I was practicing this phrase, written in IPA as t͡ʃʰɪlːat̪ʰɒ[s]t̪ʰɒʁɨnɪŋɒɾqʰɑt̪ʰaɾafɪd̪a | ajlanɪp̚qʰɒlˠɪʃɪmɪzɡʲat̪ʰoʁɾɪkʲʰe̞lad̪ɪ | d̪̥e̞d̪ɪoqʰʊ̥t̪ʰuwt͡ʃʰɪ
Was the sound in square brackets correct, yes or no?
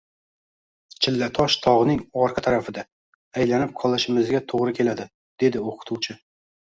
no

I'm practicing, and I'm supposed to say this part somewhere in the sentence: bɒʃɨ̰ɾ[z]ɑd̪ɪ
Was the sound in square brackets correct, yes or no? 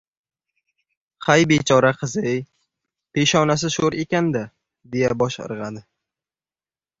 no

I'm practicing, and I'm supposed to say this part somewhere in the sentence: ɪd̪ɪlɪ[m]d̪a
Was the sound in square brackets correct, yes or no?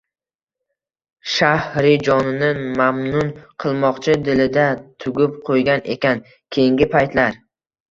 no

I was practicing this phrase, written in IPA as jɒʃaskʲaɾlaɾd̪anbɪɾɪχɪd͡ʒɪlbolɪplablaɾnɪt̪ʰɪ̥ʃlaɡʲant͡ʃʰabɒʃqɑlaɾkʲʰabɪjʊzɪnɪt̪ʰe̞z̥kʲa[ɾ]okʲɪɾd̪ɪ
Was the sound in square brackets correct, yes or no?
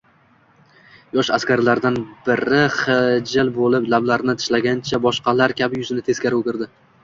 yes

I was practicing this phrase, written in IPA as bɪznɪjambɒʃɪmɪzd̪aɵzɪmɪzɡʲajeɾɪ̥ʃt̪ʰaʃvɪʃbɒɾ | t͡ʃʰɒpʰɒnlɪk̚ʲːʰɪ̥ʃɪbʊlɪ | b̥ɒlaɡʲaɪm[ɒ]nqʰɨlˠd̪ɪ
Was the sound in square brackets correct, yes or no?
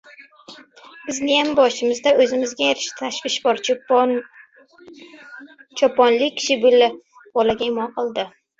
yes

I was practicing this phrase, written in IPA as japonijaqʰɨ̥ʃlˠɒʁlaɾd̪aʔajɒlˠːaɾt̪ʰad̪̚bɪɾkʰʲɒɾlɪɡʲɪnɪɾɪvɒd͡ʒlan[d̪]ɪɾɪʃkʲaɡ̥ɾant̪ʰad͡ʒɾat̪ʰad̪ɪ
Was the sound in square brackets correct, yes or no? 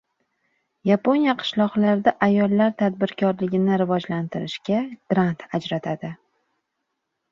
no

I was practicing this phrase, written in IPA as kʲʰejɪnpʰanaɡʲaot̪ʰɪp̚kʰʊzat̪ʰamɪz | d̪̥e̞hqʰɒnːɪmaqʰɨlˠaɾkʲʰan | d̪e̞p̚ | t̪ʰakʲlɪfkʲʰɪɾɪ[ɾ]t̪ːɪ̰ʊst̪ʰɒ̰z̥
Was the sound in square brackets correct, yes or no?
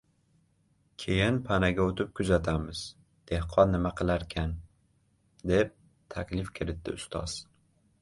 no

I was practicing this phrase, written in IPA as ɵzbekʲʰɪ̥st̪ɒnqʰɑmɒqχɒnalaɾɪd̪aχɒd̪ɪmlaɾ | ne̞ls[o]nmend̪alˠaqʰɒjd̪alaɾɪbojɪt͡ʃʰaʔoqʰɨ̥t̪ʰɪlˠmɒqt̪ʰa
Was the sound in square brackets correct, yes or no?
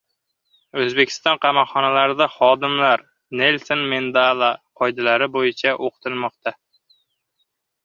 yes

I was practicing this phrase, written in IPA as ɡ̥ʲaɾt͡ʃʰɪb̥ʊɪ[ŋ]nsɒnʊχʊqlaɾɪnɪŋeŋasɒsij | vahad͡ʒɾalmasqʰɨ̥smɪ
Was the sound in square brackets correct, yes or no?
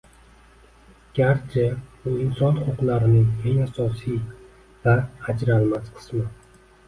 no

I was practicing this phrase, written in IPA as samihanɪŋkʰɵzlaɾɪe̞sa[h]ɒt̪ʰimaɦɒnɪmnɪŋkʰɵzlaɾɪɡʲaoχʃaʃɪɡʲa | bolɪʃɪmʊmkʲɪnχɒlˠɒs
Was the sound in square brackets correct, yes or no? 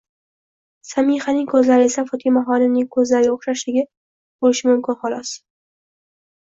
no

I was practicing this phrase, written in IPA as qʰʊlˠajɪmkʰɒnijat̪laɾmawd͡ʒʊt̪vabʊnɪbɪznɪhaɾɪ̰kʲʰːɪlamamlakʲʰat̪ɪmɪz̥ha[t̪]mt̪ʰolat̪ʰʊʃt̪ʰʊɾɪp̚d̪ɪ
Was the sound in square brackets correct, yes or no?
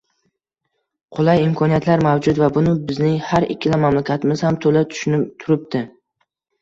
no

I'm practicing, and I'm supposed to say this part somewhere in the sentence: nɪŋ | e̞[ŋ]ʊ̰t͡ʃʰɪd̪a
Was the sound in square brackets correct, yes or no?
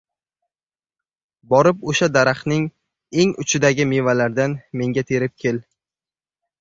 yes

